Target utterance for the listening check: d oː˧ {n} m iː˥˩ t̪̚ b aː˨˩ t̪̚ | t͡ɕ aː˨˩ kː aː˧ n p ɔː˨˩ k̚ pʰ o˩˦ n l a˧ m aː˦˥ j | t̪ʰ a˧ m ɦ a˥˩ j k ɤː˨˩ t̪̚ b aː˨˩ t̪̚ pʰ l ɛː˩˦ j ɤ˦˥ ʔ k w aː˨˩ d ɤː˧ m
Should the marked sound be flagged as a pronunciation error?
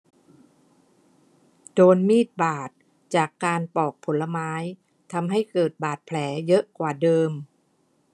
no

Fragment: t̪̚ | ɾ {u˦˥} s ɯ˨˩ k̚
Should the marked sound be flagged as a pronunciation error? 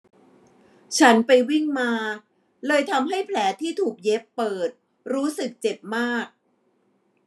yes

